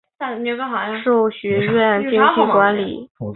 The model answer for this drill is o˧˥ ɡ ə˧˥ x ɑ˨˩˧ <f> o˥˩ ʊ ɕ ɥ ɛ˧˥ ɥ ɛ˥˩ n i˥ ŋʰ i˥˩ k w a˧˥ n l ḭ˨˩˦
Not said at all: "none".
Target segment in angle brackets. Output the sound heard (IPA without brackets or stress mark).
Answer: ʂ